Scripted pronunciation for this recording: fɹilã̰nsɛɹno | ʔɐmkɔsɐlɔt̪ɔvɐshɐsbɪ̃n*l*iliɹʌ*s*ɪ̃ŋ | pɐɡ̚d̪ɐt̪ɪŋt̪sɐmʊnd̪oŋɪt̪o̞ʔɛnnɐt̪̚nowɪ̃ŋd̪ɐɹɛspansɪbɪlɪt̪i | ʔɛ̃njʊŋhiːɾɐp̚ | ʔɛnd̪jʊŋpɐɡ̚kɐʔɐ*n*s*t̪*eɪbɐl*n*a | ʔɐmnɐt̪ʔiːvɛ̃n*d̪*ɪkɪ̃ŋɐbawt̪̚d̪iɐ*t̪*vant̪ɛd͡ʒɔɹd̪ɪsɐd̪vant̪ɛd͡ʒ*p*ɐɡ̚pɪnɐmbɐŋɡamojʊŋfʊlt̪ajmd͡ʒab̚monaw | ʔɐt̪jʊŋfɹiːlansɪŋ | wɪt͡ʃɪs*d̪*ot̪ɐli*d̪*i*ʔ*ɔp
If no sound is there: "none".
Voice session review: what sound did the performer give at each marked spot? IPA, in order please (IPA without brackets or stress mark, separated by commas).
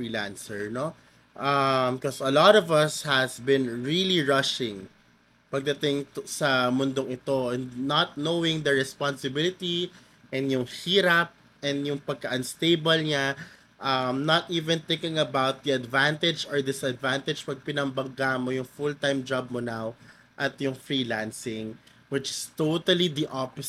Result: ɹ, ʃ, n, t̪, ɲ, t̪, d̪, p, t̪, d̪, ʔ